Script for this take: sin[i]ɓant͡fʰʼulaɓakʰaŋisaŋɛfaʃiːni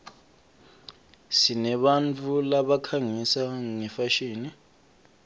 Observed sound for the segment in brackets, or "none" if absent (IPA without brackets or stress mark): ɛ